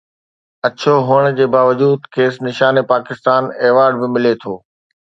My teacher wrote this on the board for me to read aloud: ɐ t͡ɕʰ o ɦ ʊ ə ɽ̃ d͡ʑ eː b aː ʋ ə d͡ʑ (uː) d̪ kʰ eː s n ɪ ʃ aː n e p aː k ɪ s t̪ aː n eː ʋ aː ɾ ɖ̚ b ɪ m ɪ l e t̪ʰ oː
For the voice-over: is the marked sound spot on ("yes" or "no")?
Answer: yes